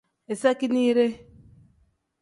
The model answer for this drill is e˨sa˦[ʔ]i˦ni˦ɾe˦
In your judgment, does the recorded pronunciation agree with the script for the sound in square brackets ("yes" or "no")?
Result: no